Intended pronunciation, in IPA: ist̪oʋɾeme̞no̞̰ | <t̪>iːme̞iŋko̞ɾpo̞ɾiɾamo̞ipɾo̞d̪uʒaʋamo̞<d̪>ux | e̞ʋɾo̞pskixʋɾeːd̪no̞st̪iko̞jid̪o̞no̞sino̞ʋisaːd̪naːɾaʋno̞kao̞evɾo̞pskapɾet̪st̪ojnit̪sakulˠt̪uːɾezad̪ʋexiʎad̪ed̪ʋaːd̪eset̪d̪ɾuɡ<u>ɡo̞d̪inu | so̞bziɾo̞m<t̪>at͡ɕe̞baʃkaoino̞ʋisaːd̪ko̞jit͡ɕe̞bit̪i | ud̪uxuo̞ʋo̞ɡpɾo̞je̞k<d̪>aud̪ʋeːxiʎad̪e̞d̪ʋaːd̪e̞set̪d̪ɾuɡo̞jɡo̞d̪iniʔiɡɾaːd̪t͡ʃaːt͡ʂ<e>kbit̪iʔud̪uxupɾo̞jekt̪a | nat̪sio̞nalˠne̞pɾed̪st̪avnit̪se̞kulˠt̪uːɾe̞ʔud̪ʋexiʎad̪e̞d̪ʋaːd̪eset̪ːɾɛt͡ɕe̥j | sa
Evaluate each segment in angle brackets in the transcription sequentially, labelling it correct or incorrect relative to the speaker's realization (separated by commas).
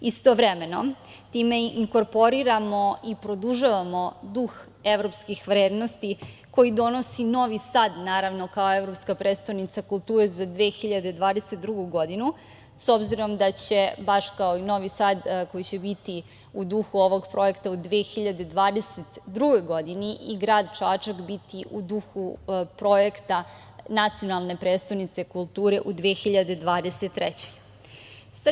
correct, correct, correct, incorrect, incorrect, incorrect